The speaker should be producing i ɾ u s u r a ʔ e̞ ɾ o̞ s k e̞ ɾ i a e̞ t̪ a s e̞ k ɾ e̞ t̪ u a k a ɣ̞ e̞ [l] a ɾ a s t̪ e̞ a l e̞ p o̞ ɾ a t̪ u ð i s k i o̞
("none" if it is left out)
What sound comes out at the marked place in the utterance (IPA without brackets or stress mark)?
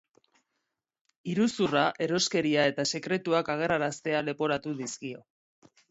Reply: r